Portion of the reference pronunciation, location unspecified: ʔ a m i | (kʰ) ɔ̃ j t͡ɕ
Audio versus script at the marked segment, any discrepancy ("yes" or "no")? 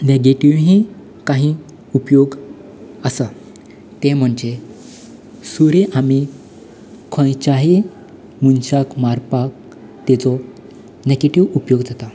no